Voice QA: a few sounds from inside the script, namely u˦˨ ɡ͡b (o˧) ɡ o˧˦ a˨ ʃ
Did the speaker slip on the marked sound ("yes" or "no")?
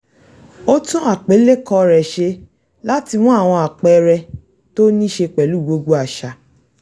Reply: no